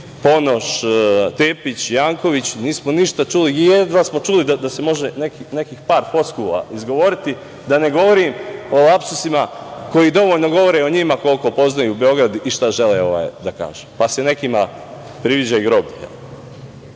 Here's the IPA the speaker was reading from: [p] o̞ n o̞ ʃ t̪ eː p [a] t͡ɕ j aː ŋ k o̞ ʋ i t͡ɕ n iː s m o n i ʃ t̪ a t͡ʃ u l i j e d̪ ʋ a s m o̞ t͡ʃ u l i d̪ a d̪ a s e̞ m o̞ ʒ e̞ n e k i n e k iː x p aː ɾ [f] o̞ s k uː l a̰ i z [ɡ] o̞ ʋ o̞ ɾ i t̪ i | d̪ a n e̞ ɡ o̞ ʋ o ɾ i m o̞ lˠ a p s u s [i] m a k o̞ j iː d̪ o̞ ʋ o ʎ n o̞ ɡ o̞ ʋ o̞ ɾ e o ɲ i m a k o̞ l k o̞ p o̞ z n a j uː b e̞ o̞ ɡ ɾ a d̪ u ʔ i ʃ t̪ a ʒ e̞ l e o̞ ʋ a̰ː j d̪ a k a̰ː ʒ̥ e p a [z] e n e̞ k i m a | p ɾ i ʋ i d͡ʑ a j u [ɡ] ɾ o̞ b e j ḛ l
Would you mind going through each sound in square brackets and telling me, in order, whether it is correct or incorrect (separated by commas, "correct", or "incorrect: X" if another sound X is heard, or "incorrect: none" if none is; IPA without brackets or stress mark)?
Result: correct, incorrect: i, correct, correct, correct, incorrect: s, correct